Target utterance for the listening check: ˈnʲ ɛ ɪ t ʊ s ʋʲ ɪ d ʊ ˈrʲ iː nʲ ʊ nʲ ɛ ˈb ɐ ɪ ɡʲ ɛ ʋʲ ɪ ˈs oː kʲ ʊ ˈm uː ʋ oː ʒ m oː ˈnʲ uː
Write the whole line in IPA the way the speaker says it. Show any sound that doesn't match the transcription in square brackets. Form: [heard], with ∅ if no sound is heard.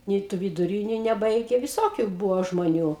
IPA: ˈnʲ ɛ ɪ t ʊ [∅] ʋʲ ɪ d ʊ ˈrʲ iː nʲ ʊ nʲ ɛ ˈb ɐ ɪ ɡʲ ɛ ʋʲ ɪ ˈs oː kʲ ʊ [ˈb] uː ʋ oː ʒ m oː ˈnʲ uː